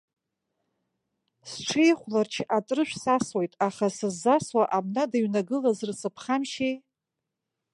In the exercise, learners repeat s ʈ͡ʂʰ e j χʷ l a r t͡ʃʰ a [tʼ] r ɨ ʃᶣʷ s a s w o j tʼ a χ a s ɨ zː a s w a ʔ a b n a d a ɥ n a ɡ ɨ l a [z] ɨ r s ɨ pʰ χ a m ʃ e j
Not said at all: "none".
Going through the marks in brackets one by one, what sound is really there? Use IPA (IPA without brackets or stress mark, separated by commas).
tʼ, z